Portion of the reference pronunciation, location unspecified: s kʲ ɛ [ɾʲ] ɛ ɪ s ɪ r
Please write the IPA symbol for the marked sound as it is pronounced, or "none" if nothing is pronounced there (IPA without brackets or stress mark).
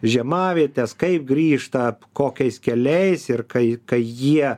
lʲ